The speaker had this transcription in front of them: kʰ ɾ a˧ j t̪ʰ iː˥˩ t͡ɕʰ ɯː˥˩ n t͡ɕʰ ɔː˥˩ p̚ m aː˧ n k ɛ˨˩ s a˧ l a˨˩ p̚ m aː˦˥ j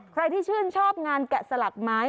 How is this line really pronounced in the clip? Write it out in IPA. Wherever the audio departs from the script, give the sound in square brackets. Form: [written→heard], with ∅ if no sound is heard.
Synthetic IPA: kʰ ɾ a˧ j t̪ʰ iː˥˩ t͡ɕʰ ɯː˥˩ n t͡ɕʰ ɔː˥˩ p̚ [m→ŋ] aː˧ n k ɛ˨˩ s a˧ l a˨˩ [p̚→k̚] m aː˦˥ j